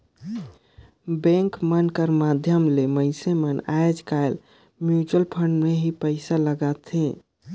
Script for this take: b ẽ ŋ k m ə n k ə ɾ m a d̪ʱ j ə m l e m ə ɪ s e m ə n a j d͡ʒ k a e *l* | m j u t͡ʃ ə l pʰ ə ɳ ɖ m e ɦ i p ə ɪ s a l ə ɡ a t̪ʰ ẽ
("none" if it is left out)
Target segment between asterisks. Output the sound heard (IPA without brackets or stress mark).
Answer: l